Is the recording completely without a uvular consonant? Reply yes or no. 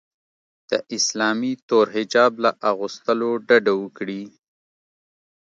yes